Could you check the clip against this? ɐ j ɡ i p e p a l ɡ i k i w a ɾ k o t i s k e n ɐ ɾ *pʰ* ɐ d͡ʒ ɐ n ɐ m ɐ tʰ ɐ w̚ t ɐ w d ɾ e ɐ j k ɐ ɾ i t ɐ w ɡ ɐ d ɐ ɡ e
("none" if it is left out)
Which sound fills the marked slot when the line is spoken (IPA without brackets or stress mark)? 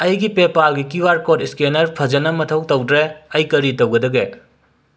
pʰ